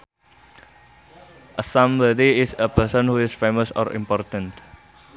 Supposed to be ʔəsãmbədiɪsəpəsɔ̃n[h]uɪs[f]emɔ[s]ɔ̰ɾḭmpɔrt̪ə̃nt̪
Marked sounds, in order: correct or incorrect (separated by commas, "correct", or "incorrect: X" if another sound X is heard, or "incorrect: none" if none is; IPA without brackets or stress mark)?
correct, correct, correct